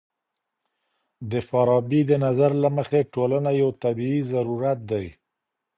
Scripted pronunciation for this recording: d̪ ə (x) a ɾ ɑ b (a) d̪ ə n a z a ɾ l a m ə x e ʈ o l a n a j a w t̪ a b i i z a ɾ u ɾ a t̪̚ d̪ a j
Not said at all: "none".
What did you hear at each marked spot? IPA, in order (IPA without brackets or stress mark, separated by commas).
f, i